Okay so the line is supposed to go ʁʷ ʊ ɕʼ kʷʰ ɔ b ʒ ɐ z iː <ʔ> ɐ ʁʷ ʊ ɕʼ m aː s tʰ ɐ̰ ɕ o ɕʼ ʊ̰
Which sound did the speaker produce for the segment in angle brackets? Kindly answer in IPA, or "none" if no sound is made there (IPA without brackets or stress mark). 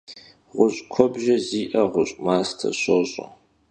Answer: ʔ